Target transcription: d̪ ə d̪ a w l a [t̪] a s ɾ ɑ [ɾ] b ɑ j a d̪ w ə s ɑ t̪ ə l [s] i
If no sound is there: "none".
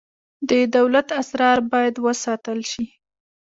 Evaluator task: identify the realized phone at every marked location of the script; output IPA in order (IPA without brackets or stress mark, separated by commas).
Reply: t̪, ɾ, ʃ